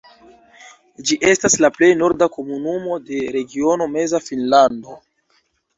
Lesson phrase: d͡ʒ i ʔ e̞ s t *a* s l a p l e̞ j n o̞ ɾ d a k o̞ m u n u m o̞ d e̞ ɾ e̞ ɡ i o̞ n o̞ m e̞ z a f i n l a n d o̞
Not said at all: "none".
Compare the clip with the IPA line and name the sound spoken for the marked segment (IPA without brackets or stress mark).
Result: a